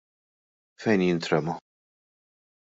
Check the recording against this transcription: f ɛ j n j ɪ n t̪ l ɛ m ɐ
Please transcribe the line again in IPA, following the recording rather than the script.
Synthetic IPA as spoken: f ɛ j n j ɪ n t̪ ɾ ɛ m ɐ